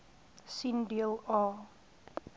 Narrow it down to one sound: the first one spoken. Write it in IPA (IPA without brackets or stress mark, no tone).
s